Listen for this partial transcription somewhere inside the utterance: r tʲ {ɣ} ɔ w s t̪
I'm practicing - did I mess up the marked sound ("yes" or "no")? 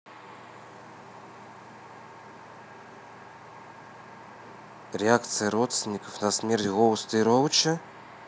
no